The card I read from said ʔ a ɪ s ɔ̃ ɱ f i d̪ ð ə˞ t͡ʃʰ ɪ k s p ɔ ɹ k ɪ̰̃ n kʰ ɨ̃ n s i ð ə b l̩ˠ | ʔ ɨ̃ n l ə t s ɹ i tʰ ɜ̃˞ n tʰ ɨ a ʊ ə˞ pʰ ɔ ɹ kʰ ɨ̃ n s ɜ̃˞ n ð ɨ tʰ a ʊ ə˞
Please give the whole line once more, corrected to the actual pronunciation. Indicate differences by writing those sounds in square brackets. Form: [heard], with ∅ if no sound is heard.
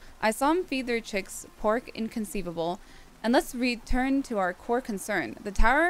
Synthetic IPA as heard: ʔ a ɪ s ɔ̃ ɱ f i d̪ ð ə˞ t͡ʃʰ ɪ k s [pʰ] ɔ ɹ k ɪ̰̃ n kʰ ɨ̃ n s i [v] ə b l̩ˠ | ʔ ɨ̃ n l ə t s ɹ i tʰ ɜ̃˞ n tʰ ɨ a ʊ ə˞ [kʰ] ɔ ɹ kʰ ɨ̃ n s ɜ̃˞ n ð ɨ tʰ a ʊ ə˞